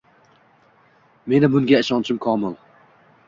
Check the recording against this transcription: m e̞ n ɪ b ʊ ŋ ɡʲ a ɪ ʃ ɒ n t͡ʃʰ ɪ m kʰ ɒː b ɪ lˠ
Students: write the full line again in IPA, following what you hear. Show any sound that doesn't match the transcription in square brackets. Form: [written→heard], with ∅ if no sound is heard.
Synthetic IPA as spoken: m e̞ n ɪ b ʊ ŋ ɡʲ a ɪ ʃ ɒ n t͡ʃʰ ɪ m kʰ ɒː [b→m] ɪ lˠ